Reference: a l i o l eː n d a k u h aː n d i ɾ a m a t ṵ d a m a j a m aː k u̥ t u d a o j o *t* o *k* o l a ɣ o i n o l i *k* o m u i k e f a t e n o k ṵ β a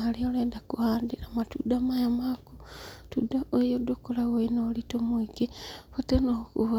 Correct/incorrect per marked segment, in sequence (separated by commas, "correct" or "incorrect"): incorrect, correct, incorrect